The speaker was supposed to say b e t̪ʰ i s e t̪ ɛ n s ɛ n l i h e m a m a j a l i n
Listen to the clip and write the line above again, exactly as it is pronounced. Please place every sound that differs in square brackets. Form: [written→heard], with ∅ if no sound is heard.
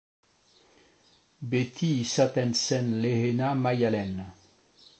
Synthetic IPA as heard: b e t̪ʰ i s [e→a] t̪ ɛ n s ɛ n l [i→e] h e [m→n] a m a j a l [i→ɛ] n